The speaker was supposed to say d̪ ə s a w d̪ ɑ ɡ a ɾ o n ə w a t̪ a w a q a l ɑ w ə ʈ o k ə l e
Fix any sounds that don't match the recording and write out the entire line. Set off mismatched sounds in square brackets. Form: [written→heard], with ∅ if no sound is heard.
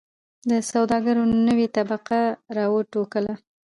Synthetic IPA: d̪ ə s a w d̪ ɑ ɡ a ɾ o n ə w [a→e] t̪ a [w→b] a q a [l→ɾ] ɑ w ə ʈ o k ə l [e→a]